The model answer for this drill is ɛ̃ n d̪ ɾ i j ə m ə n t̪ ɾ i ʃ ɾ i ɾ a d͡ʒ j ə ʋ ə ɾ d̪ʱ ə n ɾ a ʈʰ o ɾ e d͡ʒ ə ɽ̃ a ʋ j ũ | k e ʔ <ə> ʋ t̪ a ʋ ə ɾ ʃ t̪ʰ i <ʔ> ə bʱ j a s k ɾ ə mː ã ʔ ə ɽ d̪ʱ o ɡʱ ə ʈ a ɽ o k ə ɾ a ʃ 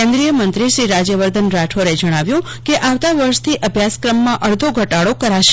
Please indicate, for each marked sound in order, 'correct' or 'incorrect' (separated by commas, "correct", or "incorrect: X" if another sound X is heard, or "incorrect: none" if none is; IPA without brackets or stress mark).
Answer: incorrect: a, correct